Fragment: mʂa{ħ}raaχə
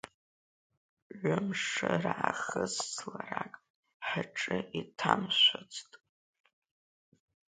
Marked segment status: incorrect: none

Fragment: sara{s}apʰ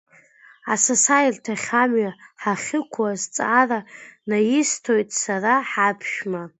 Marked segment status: incorrect: ħ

